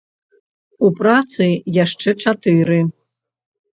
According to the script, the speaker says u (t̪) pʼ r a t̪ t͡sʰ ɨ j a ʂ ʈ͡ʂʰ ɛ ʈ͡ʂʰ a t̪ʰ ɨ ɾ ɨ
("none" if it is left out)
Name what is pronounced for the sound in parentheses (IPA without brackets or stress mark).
none